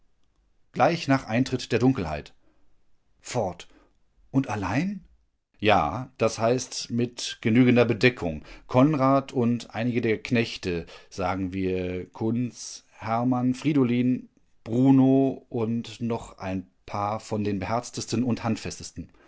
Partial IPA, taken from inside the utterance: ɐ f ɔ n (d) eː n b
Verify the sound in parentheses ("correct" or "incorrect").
correct